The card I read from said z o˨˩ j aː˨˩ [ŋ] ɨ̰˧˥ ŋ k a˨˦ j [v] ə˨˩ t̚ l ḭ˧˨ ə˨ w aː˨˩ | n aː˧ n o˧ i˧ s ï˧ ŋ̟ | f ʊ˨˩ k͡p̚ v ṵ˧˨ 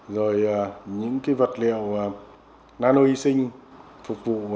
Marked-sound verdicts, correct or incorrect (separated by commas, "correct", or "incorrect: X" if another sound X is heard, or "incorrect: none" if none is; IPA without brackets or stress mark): incorrect: ɲ, correct